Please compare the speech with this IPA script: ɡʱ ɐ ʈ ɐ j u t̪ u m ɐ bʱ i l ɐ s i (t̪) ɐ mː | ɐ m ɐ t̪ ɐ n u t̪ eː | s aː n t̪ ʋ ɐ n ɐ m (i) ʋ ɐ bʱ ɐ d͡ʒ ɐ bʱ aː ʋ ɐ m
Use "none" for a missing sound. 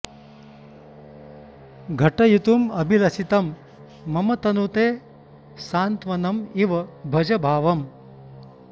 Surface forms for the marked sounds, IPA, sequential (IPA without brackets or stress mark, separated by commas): t̪, i